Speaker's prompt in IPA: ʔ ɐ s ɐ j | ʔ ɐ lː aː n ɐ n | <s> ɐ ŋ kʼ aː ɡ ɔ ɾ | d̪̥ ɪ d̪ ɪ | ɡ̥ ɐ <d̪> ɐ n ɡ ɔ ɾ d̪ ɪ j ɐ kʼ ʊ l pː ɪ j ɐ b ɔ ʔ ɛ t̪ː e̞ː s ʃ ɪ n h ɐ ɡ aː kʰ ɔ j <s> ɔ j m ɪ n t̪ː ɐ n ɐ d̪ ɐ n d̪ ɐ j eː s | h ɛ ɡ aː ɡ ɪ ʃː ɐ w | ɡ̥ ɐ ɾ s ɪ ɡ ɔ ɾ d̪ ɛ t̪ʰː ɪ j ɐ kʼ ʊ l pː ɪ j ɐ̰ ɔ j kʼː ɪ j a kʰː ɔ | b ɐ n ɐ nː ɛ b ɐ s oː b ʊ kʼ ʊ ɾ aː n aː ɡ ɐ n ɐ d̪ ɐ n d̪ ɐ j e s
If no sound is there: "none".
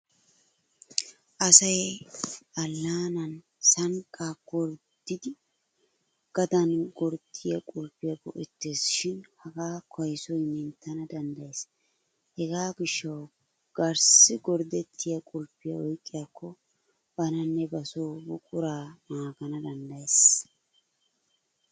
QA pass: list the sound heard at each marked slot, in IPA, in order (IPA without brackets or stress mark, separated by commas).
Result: s, d̪, s